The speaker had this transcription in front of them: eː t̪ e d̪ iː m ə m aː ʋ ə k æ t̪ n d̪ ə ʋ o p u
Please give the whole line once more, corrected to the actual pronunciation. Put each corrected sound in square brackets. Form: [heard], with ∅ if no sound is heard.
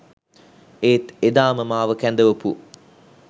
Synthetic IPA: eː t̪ e d̪ [aː] m ə m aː ʋ ə k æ [∅] n d̪ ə ʋ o p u